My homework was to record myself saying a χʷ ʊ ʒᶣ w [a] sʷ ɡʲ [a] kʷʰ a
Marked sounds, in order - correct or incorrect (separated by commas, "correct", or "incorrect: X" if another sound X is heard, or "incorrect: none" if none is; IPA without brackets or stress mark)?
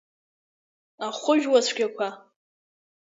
correct, correct